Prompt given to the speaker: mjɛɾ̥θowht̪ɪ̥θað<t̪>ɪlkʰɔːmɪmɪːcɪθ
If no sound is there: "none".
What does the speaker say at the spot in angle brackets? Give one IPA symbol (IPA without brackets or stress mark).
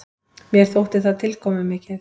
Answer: t̪ʰ